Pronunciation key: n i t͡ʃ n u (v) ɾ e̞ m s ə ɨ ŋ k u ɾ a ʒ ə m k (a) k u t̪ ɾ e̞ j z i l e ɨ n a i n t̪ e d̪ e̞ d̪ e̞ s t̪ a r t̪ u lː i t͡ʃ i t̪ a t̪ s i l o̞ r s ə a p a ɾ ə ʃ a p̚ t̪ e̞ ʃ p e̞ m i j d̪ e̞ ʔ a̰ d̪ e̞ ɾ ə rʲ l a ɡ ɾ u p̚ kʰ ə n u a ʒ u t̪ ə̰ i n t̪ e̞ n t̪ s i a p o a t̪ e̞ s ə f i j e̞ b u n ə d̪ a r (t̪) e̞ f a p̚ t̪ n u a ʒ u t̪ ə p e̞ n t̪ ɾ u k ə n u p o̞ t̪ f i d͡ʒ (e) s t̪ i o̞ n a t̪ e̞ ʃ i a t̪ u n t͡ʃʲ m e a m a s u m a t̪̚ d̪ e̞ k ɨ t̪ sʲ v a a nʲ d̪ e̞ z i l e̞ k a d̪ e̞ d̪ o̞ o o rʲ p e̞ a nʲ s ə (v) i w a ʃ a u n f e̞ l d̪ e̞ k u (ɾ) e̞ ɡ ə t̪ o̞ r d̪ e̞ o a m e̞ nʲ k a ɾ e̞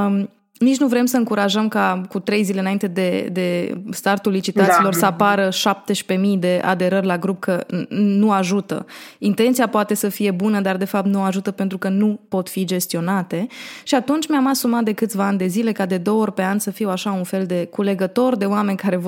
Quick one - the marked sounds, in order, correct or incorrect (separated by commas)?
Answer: correct, correct, incorrect, correct, incorrect, incorrect